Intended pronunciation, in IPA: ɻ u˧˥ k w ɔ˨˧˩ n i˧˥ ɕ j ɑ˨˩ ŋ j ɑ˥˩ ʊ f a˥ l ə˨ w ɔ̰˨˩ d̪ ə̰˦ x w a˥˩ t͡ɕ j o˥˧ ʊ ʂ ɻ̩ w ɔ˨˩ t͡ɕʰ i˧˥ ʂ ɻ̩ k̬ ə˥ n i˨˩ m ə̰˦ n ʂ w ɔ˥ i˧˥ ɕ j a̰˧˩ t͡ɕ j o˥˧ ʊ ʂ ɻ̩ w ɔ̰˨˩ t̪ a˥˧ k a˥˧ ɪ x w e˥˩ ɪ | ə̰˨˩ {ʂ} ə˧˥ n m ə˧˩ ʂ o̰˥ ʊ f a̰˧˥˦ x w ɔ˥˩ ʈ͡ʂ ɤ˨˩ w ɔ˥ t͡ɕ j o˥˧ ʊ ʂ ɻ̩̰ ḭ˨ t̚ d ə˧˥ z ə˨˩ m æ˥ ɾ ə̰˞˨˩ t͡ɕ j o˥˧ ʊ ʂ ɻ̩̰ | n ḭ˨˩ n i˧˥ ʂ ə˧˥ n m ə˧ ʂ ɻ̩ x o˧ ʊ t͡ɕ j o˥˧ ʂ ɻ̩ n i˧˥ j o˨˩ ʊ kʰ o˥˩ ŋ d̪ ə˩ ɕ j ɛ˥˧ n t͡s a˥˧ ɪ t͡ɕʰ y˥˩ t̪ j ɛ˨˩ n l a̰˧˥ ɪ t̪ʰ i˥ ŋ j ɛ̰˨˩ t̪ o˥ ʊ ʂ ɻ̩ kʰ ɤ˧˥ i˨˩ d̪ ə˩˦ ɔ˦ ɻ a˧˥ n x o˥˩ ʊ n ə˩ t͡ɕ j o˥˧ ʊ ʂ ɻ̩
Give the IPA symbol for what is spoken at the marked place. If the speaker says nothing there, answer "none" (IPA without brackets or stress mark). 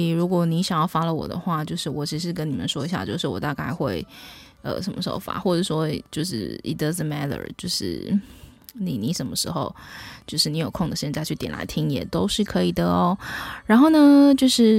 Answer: ʂ